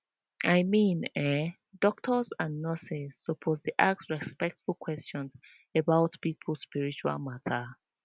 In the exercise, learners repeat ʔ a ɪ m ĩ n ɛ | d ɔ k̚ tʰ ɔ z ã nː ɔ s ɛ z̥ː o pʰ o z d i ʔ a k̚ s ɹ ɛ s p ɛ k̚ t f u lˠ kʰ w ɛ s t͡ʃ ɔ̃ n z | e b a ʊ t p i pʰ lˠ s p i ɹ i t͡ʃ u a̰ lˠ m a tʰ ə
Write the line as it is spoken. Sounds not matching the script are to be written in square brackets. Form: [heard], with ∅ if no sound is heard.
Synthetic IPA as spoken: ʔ a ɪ m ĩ n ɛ | d ɔ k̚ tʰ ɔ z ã nː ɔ s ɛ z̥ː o pʰ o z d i ʔ a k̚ s ɹ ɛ s p ɛ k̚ t f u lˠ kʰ w ɛ s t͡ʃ ɔ̃ n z | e b a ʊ t p i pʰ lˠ s p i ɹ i t͡ʃ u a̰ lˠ m a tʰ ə